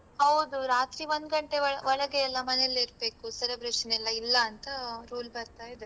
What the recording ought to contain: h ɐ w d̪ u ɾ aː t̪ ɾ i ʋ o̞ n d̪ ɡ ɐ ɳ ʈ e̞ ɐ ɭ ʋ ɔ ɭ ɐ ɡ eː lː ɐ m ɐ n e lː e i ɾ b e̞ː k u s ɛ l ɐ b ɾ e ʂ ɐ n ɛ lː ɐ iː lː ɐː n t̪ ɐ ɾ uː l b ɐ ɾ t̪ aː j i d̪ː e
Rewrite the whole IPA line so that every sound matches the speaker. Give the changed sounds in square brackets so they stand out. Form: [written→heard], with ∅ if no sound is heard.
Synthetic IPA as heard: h ɐ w d̪ u ɾ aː t̪ ɾ i ʋ o̞ n d̪ ɡ ɐ ɳ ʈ e̞ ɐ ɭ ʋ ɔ ɭ ɐ ɡ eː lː ɐ m ɐ n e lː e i ɾ b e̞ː k u s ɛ l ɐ b ɾ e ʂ ɐ n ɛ lː ɐ [iː→i] lː ɐː n t̪ ɐ ɾ uː l b ɐ ɾ t̪ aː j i [d̪ː→d̪] e